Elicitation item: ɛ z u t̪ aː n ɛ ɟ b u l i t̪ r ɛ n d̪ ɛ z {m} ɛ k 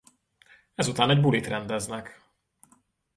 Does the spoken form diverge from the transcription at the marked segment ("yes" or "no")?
yes